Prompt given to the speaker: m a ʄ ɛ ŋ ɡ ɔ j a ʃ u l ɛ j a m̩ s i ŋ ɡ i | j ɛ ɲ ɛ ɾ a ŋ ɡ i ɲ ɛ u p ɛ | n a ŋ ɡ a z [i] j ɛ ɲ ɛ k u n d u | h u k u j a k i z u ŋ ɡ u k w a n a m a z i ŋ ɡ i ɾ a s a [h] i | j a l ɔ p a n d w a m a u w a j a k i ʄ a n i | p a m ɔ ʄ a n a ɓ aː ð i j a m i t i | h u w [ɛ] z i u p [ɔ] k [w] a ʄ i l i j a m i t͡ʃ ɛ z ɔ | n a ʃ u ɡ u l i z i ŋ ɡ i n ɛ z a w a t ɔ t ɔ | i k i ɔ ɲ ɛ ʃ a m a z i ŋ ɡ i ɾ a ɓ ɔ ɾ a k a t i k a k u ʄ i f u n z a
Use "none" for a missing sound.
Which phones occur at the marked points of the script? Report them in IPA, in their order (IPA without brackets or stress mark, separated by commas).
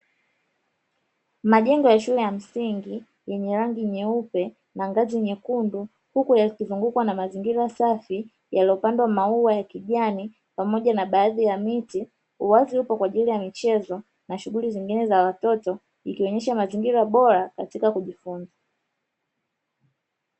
i, f, a, ɔ, w